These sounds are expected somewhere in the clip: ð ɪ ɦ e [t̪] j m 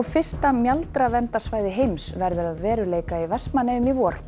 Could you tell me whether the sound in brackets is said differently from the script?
yes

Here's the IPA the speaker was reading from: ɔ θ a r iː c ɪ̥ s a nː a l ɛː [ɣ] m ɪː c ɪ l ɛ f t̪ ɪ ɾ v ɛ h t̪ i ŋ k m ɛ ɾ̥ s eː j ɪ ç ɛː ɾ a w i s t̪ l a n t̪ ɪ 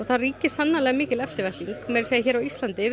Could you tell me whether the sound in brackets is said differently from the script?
no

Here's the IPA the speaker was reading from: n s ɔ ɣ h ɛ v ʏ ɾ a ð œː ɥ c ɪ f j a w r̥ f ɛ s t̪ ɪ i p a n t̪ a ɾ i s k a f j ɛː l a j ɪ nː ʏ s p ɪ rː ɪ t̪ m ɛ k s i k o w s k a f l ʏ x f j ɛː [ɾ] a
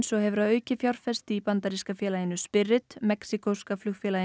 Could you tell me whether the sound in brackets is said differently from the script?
yes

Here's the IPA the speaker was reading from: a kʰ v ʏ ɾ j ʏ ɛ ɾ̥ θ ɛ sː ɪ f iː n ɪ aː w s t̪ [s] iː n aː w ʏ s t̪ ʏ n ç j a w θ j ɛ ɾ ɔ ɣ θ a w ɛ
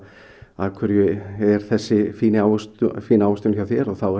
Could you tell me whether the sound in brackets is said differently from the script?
yes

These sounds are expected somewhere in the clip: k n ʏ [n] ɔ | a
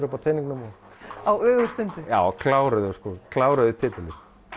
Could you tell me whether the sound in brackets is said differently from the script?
yes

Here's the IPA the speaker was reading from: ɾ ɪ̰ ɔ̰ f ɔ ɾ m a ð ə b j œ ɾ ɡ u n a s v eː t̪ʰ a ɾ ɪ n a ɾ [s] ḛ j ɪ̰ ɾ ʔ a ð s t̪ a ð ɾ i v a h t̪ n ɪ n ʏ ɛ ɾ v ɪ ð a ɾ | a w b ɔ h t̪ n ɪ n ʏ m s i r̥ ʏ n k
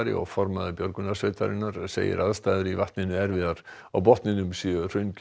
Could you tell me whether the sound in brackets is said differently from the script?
no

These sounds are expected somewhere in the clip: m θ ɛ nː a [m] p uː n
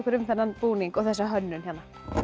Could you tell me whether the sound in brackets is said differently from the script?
yes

